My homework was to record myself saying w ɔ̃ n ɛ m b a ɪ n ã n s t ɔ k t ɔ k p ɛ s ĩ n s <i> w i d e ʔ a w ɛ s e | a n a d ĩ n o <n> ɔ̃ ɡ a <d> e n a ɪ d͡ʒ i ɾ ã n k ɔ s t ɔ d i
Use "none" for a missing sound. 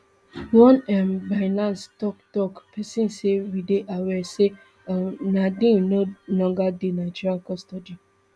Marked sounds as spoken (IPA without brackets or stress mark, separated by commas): e, n, d